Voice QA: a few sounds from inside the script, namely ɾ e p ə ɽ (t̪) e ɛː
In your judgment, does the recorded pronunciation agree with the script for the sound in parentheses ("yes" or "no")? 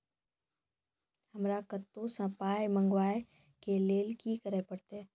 yes